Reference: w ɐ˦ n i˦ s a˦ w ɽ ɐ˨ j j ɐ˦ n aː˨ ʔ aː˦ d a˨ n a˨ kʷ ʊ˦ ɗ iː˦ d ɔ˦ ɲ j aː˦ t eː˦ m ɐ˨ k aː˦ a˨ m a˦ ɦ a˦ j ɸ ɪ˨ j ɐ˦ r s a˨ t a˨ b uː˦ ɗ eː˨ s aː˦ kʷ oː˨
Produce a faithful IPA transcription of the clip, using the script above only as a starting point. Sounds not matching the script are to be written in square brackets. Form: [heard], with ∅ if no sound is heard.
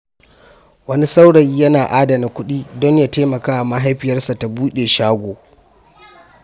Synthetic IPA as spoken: w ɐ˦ n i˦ s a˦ w ɽ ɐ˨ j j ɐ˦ n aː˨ ʔ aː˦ d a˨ n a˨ kʷ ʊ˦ ɗ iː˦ d ɔ˦ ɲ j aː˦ t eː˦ m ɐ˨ k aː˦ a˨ m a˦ ɦ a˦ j ɸ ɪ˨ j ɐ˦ r s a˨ t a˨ b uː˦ ɗ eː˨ [ʃ] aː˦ [ɡʷ] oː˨